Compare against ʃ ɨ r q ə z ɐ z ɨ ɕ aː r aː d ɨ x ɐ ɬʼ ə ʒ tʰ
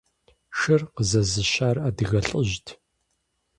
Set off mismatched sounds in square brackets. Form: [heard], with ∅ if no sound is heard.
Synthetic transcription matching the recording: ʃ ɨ r q ə z ɐ z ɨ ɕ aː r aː d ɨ [ɣ] ɐ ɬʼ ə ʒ tʰ